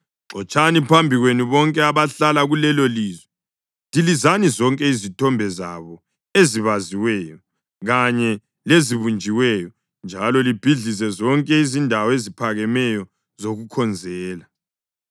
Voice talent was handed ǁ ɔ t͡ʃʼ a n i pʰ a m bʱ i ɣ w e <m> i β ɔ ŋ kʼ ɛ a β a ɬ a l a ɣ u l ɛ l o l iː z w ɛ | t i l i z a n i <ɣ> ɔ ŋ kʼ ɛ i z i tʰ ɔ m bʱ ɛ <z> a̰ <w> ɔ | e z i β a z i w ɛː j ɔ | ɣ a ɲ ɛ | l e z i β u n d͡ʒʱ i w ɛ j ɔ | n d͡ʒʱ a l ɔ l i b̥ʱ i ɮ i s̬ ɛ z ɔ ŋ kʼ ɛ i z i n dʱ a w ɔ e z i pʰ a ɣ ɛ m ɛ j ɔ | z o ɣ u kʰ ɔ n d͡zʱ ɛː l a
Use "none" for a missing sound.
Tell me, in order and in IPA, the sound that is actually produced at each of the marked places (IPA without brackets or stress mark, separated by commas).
n, z, z, β